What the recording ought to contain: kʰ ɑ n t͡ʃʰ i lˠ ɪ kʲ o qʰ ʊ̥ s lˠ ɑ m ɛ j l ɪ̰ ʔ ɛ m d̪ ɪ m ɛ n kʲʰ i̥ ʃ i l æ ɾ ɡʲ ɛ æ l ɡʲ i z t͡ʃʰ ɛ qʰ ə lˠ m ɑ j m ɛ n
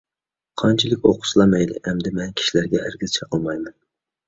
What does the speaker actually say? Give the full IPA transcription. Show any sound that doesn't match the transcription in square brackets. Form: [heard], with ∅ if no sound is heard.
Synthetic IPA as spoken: [qʰ] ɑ n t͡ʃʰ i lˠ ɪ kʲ o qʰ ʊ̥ s lˠ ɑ m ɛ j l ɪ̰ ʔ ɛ m d̪ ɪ m ɛ n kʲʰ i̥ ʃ i l æ ɾ ɡʲ ɛ æ [ɾ] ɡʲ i z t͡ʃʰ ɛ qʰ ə lˠ m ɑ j m ɛ n